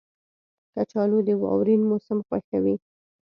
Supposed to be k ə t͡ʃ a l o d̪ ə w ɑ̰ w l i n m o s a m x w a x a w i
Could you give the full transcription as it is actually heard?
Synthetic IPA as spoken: k a t͡ʃ ɑ l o d̪ ə w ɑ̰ w ɾ i n m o s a m x w a x a w i